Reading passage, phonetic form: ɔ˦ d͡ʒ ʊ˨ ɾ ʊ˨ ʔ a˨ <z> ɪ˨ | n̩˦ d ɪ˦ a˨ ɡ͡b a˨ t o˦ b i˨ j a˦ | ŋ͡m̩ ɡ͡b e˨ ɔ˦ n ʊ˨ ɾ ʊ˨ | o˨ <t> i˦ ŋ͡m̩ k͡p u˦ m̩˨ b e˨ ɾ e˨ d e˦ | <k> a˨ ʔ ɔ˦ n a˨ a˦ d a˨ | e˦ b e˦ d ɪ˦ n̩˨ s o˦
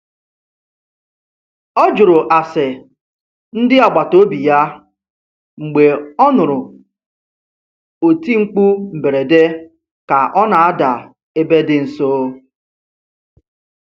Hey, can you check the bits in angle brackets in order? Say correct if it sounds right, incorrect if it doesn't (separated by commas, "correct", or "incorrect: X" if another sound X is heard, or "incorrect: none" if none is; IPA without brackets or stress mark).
incorrect: s, correct, correct